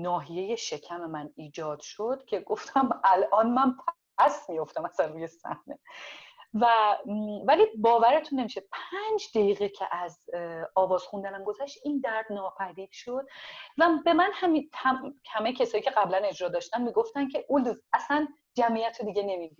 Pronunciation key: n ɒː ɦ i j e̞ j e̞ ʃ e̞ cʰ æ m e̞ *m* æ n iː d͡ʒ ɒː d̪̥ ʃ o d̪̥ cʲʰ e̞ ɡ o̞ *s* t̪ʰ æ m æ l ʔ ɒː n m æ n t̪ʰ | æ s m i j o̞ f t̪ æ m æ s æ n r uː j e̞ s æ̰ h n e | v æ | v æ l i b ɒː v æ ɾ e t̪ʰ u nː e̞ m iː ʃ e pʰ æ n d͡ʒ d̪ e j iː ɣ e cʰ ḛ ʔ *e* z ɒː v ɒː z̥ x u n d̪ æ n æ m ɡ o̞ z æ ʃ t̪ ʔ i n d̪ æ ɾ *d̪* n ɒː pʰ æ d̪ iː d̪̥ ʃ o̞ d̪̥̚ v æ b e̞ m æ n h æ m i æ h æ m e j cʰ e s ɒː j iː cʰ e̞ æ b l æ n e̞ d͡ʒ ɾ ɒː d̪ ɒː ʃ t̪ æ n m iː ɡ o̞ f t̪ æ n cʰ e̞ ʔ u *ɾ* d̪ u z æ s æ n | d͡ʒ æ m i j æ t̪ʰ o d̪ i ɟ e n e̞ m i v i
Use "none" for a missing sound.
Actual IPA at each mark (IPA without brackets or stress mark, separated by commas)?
m, f, æ, d̪, l